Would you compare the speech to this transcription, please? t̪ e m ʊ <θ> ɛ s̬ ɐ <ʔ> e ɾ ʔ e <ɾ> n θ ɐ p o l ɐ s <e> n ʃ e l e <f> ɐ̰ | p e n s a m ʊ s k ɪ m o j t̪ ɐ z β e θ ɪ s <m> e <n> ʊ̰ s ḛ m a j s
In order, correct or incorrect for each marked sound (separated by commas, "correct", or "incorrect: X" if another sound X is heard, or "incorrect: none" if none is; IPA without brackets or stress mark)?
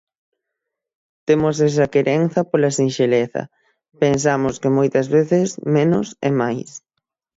incorrect: s, incorrect: k, incorrect: none, incorrect: i, incorrect: θ, correct, correct